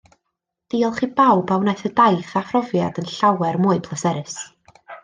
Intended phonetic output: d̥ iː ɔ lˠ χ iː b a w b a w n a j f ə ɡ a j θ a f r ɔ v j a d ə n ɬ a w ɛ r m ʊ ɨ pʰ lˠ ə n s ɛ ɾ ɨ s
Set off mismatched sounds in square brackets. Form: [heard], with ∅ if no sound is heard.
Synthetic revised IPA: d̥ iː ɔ lˠ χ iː b a w b a w n a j [θ] ə [d] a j θ a f r ɔ v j a d ə n ɬ a w ɛ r m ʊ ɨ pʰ lˠ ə [∅] s ɛ ɾ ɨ s